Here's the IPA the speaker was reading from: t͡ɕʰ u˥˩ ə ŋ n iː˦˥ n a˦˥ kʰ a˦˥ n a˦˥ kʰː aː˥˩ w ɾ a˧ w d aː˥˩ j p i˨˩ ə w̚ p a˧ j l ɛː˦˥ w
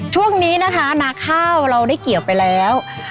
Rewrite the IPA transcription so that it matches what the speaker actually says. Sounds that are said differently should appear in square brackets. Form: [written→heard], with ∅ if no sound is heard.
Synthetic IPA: t͡ɕʰ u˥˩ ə ŋ n iː˦˥ n a˦˥ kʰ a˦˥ n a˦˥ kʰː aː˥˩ w ɾ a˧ w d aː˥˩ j [p→k] i˨˩ ə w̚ p a˧ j l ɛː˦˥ w